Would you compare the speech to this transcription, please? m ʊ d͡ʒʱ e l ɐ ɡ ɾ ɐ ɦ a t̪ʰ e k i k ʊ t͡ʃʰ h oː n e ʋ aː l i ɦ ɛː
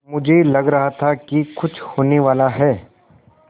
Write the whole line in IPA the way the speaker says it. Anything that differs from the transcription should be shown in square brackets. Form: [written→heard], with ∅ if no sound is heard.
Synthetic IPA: m ʊ d͡ʒʱ e l ɐ ɡ ɾ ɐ ɦ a t̪ʰ [e→a] k i k ʊ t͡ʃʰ h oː n e ʋ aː l [i→a] ɦ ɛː